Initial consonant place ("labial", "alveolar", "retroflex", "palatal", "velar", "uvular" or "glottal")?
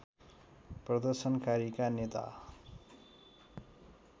labial